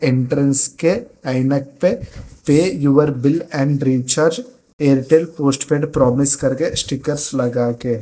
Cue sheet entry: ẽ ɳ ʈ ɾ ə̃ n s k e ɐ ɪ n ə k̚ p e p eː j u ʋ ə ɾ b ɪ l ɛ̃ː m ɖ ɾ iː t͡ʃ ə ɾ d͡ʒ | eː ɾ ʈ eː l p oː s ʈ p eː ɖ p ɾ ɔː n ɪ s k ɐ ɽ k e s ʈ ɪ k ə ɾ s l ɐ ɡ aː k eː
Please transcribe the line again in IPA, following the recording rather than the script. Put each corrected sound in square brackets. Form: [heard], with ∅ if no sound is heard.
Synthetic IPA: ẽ ɳ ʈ ɾ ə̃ n s k e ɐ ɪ n ə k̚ p e p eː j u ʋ ə ɾ b ɪ l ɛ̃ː [ɳ] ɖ ɾ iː t͡ʃ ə ɾ d͡ʒ | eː ɾ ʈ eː l p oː s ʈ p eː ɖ p ɾ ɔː [m] ɪ s k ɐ [ɾ] k e s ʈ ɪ k ə ɾ s l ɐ ɡ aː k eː